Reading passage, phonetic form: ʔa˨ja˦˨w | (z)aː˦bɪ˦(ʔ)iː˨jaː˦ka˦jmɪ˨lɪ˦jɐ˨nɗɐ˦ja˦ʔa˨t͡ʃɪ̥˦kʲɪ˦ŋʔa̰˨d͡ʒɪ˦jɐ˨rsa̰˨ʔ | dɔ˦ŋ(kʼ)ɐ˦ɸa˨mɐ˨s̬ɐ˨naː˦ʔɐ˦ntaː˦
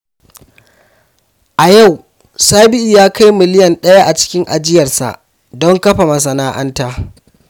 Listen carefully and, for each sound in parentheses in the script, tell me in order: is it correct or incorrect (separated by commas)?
incorrect, correct, incorrect